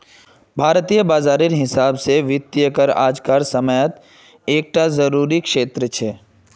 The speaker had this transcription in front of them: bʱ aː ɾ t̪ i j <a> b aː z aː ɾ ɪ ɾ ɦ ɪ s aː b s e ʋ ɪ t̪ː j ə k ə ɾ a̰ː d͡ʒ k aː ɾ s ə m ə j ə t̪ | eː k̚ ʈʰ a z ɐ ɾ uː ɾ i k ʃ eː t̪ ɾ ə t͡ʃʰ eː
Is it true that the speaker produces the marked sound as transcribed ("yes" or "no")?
no